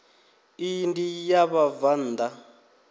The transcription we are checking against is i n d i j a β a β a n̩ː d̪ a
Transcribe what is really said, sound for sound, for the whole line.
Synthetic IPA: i n d i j a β a v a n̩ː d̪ a